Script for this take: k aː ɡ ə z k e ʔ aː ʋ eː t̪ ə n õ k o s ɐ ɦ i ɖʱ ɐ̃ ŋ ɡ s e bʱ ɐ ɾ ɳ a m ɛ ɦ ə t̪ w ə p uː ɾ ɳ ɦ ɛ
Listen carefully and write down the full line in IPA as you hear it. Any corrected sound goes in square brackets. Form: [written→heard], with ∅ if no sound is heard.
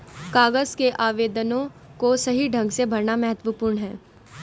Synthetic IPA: k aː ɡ ə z k e ʔ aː ʋ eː [t̪→d̪] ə n õ k o s ɐ ɦ i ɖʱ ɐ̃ ŋ ɡ s e bʱ ɐ ɾ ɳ a m ɛ ɦ ə t̪ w ə p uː ɾ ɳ ɦ [ɛ→ɛː]

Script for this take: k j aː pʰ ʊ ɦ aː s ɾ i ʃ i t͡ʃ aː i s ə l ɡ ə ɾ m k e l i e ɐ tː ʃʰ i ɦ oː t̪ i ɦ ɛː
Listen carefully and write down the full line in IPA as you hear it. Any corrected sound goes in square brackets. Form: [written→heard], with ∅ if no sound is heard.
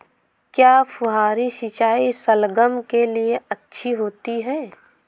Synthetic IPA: k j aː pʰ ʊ ɦ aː [s→∅] ɾ i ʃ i t͡ʃ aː i s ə l ɡ ə [ɾ→∅] m k e l i e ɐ tː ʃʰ i ɦ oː t̪ i ɦ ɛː

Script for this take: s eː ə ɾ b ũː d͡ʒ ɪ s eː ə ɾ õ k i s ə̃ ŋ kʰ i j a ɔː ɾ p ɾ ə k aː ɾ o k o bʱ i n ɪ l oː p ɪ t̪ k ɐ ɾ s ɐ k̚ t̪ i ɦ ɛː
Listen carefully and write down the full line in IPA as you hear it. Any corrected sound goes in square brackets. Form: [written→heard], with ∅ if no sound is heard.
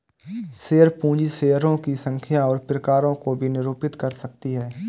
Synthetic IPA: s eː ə ɾ [b→p] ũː d͡ʒ [ɪ→i] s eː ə ɾ õ k i s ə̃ ŋ kʰ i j a ɔː ɾ p ɾ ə k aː ɾ [o→õ] k o bʱ i n ɪ [l→ɾ] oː p ɪ t̪ k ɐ ɾ s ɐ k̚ t̪ i ɦ ɛː

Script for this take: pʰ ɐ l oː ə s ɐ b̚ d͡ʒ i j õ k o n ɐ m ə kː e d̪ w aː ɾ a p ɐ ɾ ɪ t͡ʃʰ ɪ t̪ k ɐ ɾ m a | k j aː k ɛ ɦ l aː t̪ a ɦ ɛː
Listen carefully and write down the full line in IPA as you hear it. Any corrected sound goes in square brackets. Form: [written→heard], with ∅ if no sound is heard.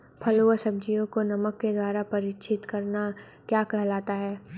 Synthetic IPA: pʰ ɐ l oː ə s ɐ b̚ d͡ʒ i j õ k o n ɐ m ə kː e d̪ w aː ɾ a p ɐ ɾ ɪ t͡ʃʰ ɪ t̪ k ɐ ɾ [m→n] a | k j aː k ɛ ɦ l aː t̪ a ɦ ɛː

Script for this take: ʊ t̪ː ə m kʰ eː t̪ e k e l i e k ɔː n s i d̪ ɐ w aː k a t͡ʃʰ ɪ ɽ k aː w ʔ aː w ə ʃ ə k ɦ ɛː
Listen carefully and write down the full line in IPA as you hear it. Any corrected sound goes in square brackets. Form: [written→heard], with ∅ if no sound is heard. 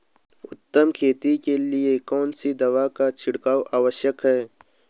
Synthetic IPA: ʊ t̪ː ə m kʰ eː t̪ [e→i] k e l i e k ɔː n s i d̪ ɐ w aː k a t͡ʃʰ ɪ ɽ k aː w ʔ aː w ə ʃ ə k ɦ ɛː

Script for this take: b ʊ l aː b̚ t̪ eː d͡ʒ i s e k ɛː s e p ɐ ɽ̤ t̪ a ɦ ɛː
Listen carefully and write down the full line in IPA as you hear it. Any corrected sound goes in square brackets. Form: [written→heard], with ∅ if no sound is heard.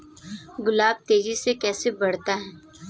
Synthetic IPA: [b→ɡ] ʊ l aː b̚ t̪ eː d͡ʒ i s e k ɛː s e [p→b] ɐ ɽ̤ t̪ a ɦ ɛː

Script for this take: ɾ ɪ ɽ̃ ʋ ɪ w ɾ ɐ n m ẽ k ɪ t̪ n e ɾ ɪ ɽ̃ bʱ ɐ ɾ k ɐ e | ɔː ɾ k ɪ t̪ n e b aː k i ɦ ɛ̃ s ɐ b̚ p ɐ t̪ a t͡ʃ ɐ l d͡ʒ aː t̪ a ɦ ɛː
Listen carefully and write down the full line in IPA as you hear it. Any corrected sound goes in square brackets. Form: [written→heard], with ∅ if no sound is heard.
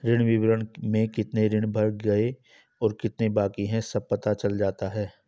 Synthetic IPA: ɾ ɪ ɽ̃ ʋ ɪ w ɾ [ɐ→ə] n m ẽ k ɪ t̪ n e ɾ ɪ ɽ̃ bʱ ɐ ɾ [k→ɡ] ɐ e | ɔː ɾ k ɪ t̪ n e b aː k i ɦ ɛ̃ s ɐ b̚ p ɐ t̪ a t͡ʃ ɐ l d͡ʒ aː t̪ a ɦ ɛː

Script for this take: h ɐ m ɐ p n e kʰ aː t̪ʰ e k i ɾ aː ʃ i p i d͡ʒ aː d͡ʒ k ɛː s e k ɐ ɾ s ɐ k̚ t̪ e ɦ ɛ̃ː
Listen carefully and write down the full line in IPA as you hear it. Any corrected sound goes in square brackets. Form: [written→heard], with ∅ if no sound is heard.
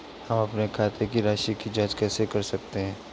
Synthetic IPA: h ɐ m ɐ p n e kʰ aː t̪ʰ e k i ɾ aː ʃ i [p→k] i d͡ʒ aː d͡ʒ k ɛː s e k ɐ ɾ s ɐ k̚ t̪ e ɦ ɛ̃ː

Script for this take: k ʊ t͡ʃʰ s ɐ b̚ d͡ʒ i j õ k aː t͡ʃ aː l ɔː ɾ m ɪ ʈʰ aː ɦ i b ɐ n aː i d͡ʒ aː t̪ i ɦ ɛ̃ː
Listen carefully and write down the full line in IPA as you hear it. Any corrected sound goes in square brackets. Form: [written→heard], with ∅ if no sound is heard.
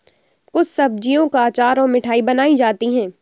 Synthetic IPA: k ʊ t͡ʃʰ s ɐ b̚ d͡ʒ i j õ k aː t͡ʃ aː [l→ɾ] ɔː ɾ m ɪ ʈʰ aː [ɦ→∅] i b ɐ n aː i d͡ʒ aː t̪ i ɦ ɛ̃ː

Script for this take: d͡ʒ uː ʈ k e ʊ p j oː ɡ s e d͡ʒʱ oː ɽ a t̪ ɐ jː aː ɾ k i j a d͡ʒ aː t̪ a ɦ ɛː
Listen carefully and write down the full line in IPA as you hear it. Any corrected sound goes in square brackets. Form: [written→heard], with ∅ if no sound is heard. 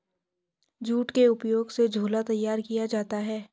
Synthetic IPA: d͡ʒ uː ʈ k e ʊ p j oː ɡ s e d͡ʒʱ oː [ɽ→l] a t̪ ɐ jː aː ɾ k i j a d͡ʒ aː t̪ a ɦ ɛː

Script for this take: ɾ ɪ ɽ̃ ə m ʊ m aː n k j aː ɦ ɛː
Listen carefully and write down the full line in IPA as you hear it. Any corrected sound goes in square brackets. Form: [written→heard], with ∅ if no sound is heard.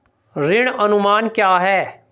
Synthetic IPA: ɾ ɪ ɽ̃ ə [m→n] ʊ m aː n k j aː ɦ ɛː

